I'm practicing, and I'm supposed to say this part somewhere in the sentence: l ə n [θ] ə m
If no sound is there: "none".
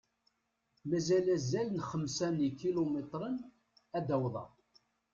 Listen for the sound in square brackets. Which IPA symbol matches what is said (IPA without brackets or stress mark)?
χ